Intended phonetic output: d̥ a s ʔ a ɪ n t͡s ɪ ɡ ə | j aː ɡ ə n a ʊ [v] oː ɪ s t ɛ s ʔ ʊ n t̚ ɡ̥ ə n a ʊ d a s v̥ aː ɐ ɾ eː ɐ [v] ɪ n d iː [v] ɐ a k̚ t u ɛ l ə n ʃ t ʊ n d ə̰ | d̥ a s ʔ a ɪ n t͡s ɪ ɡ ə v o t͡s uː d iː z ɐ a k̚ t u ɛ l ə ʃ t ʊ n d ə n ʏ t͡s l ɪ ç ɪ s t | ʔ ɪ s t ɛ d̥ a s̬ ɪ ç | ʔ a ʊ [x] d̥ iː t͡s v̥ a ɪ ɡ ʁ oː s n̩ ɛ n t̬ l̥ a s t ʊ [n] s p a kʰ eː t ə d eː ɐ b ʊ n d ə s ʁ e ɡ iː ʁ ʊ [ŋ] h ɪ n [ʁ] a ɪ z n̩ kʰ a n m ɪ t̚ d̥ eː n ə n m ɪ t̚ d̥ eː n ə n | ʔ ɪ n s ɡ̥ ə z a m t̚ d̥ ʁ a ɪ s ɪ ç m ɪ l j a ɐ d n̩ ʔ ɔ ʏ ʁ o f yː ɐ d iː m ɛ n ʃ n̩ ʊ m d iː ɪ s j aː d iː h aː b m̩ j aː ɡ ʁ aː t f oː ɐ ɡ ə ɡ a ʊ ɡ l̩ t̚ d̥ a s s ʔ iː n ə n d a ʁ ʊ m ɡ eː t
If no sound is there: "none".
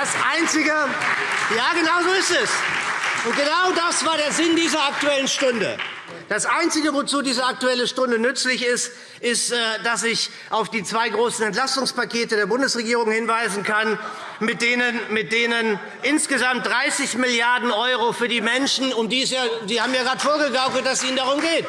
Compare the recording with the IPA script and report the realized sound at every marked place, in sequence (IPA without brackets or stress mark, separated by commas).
z, z, z, f, ŋ, ŋ, v